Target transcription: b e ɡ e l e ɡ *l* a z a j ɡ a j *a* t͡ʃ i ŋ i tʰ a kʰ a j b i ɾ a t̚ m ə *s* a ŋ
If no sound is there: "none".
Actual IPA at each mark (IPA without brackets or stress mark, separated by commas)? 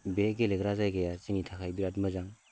ɾ, a, z